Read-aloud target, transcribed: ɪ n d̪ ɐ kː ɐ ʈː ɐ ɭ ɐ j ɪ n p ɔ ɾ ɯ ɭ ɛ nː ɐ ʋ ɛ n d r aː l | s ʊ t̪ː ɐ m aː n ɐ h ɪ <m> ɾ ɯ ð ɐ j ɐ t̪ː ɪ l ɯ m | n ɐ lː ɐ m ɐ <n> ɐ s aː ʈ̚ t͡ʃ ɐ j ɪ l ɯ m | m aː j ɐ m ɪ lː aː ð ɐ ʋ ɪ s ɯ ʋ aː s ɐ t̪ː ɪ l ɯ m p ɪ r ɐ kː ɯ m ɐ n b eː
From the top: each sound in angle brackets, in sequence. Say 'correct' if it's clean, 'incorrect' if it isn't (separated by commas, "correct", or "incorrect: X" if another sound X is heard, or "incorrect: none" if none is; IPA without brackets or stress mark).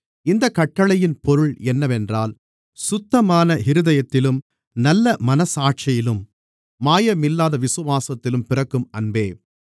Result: incorrect: none, correct